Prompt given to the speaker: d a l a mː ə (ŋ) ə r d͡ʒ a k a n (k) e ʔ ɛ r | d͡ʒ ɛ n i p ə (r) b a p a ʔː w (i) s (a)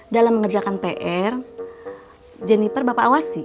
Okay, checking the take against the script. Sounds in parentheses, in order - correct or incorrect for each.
correct, incorrect, correct, incorrect, incorrect

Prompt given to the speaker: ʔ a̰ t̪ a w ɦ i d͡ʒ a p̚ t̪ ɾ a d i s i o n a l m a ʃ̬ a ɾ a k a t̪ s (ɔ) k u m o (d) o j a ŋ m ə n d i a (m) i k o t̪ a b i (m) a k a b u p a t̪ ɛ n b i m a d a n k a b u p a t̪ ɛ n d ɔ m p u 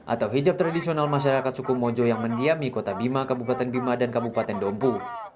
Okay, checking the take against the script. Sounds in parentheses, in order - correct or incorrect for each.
incorrect, incorrect, correct, correct

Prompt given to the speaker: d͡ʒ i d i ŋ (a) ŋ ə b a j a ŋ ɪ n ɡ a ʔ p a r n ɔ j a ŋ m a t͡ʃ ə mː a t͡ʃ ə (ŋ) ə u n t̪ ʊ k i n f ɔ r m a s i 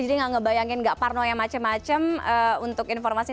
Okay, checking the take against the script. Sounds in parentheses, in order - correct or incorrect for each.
correct, incorrect

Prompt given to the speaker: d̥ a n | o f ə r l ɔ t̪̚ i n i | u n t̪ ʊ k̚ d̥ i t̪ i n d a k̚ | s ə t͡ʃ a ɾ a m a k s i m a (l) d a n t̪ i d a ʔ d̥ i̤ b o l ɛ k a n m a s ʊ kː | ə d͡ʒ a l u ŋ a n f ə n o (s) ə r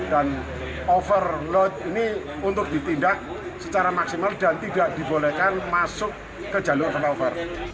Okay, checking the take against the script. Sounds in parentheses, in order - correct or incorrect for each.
correct, incorrect

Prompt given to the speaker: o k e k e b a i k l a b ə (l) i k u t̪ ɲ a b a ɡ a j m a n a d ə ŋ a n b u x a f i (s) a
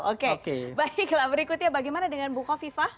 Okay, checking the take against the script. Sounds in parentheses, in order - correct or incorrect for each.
incorrect, incorrect

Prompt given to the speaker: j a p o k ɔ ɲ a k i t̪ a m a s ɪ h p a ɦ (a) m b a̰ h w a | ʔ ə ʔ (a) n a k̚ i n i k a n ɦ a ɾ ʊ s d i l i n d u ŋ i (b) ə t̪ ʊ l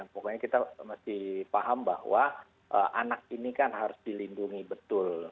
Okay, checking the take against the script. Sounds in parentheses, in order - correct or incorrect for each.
correct, correct, correct

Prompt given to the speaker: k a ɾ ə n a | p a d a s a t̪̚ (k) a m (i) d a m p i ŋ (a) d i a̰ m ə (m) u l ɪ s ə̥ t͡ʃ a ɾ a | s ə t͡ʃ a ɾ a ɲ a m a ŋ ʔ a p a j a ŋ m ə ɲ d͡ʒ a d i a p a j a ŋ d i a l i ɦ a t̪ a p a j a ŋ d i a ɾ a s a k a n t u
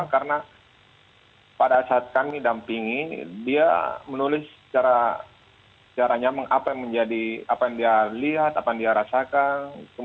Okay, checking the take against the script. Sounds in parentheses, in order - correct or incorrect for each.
correct, correct, incorrect, incorrect

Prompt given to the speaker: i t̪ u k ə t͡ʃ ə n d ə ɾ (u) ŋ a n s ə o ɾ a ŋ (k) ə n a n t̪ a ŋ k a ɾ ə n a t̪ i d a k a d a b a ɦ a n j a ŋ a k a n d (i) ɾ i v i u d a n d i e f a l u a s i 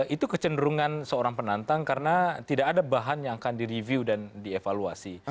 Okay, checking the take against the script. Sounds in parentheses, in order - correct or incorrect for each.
correct, incorrect, correct

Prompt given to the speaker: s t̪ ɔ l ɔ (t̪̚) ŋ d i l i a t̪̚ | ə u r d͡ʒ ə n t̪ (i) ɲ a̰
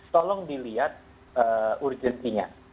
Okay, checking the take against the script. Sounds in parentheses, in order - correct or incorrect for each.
incorrect, correct

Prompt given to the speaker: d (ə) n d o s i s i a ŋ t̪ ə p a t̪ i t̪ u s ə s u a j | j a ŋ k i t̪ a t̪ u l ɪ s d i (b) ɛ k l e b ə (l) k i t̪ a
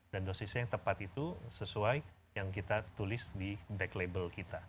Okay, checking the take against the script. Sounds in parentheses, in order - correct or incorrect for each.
incorrect, correct, correct

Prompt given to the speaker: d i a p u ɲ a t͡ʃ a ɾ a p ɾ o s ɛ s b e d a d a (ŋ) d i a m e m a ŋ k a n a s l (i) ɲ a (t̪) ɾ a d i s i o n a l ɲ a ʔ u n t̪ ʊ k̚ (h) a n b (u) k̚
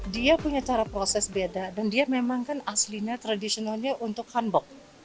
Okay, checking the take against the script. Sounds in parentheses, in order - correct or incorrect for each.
incorrect, correct, correct, correct, incorrect

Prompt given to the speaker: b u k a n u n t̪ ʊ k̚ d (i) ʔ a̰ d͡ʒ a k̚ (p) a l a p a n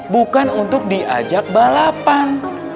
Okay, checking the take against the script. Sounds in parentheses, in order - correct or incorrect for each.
correct, incorrect

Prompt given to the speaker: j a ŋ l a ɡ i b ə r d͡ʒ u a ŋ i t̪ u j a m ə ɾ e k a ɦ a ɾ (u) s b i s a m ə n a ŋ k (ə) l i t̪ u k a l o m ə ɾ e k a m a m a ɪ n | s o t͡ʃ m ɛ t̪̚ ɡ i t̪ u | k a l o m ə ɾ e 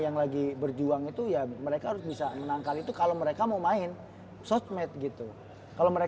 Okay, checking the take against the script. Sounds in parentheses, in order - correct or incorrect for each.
incorrect, incorrect

